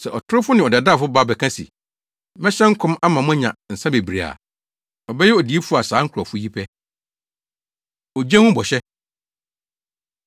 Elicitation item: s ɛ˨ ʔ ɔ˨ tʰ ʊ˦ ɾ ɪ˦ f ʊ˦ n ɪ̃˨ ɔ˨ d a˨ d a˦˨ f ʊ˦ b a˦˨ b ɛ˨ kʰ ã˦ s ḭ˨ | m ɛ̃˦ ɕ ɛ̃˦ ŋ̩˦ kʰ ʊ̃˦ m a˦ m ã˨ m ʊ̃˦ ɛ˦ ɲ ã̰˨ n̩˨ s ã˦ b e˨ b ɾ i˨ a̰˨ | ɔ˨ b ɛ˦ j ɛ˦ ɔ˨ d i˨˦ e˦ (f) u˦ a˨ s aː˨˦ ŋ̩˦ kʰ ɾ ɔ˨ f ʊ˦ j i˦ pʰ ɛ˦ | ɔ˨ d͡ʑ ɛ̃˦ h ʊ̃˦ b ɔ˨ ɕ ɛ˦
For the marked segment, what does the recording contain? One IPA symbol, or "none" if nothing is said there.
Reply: f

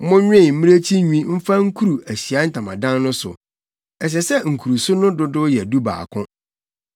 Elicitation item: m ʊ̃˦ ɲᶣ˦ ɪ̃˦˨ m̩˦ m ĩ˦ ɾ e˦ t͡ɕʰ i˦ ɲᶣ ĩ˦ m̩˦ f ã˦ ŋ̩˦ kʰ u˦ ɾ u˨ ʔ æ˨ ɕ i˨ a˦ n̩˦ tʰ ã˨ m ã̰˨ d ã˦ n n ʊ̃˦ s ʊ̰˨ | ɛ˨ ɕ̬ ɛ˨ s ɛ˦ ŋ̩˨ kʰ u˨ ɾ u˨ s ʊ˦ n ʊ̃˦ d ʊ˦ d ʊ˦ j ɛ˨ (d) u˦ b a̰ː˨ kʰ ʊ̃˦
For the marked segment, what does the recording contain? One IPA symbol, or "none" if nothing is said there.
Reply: d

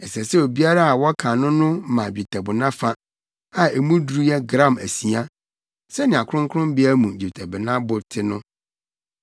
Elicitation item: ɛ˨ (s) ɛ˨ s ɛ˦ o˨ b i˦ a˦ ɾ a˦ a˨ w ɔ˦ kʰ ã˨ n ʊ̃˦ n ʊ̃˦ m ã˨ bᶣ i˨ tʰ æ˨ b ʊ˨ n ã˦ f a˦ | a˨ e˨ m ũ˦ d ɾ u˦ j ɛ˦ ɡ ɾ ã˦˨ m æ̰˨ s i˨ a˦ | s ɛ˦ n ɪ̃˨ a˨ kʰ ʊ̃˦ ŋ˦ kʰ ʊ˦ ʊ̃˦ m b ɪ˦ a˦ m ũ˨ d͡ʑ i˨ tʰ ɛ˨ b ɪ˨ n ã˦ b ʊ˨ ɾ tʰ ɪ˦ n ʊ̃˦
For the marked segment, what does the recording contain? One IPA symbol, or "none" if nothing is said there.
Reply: s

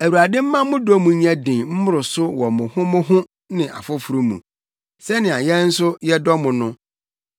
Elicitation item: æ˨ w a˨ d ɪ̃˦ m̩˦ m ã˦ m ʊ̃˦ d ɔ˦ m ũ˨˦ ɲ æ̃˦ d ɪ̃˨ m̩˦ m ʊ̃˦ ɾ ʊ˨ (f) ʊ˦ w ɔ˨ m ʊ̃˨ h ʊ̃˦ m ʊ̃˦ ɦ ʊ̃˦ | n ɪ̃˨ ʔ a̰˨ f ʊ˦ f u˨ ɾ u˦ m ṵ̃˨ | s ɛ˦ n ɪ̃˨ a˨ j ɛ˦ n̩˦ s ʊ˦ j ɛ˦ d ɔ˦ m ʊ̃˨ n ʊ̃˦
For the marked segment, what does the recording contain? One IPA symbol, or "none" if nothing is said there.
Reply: s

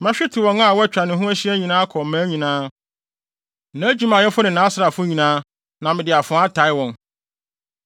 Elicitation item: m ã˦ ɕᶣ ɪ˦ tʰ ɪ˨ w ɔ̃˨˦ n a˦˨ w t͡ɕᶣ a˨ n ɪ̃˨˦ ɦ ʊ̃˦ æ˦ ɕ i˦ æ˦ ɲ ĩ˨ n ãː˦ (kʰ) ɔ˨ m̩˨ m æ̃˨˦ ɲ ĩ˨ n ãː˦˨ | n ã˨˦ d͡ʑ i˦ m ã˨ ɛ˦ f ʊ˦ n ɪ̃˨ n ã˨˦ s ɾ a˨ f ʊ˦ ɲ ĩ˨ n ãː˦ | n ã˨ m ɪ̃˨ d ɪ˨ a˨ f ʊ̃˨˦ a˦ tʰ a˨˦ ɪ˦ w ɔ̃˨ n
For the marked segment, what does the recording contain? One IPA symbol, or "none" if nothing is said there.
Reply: kʰ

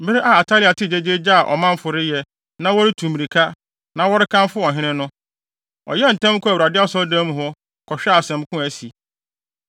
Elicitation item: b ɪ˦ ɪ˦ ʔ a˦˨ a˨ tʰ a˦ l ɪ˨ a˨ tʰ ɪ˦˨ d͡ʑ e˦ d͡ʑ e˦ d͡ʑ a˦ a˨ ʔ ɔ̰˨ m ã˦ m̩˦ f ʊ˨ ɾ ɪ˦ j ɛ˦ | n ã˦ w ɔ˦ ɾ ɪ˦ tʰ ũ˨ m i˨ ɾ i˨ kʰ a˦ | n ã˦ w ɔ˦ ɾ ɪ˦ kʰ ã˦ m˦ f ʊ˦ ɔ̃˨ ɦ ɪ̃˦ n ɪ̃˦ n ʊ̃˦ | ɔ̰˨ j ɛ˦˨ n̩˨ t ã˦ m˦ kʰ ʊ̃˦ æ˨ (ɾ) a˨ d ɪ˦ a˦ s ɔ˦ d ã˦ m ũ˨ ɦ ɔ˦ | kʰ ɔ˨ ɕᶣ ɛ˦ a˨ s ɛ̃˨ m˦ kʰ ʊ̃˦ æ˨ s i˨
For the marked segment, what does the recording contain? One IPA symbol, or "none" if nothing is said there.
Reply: ɾ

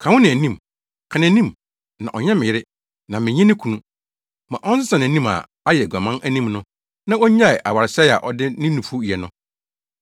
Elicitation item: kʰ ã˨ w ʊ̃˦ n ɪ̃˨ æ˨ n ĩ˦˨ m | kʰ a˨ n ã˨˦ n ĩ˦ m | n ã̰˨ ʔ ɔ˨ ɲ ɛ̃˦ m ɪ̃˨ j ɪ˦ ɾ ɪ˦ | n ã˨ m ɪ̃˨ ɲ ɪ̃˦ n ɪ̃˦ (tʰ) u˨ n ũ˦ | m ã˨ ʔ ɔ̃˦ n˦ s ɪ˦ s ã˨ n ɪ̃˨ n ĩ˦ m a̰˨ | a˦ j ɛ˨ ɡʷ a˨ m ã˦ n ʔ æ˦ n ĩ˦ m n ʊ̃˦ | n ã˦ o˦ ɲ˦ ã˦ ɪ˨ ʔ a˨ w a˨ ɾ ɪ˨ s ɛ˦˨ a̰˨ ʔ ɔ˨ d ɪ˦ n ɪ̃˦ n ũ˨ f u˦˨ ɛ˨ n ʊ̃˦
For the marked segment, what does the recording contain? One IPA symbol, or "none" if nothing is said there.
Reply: kʰ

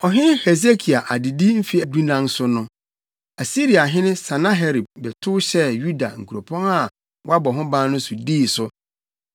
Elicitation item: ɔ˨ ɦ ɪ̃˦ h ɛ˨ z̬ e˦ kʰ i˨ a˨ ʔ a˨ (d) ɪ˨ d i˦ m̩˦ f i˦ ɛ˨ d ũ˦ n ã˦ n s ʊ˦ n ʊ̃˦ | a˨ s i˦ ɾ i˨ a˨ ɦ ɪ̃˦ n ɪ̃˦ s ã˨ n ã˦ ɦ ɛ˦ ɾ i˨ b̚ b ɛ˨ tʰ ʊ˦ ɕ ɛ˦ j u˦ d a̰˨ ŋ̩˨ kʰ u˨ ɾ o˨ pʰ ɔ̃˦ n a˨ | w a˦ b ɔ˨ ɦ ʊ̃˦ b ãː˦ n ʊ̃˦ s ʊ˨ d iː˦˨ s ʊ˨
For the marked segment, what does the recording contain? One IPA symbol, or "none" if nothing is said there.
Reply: d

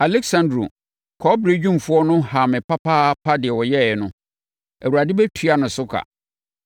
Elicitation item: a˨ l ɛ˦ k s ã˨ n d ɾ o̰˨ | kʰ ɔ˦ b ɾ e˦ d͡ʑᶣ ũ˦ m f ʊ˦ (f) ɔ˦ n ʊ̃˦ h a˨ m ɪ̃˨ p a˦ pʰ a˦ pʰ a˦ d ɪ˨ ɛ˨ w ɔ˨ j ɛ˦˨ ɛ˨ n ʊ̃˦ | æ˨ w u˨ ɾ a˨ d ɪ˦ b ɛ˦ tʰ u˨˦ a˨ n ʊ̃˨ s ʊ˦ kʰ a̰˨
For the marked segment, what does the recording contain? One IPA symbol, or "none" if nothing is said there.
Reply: none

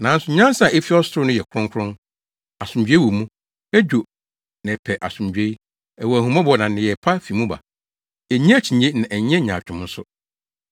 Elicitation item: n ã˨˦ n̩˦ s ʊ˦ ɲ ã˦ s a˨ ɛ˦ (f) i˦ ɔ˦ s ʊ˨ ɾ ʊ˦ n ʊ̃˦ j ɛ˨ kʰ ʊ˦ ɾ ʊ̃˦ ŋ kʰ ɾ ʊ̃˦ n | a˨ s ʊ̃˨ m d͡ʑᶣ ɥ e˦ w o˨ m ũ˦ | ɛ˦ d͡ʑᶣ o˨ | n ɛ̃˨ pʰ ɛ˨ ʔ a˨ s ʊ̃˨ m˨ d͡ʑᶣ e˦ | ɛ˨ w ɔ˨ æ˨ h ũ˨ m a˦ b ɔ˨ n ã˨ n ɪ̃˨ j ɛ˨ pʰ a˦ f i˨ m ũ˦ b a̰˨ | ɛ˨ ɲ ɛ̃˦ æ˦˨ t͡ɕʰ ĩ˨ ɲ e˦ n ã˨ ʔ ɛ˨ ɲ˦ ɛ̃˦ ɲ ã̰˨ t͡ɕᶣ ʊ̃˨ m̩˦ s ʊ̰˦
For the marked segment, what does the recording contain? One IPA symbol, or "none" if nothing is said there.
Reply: f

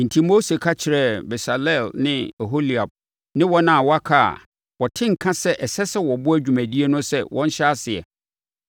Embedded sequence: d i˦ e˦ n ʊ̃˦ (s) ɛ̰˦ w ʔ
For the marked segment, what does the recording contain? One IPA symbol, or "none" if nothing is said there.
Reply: s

